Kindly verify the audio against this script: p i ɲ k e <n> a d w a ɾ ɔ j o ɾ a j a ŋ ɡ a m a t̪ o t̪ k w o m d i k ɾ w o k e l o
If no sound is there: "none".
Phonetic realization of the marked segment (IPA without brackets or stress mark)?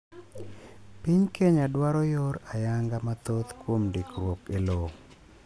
ɲ